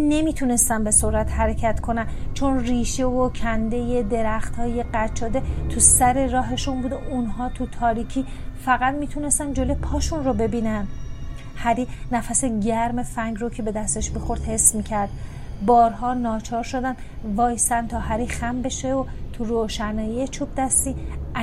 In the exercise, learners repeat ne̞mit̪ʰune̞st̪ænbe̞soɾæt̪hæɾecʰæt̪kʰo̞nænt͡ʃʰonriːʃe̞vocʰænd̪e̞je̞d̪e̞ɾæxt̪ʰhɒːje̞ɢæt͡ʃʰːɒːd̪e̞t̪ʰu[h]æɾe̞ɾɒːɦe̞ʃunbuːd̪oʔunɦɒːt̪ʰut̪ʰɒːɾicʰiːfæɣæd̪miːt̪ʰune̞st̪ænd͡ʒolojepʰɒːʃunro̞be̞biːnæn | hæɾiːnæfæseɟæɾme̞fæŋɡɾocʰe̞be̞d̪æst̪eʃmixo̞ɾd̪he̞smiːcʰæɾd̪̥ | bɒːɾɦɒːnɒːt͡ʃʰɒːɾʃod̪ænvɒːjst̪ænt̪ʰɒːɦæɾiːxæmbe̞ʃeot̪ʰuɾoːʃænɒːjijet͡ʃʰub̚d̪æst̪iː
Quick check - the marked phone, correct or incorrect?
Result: incorrect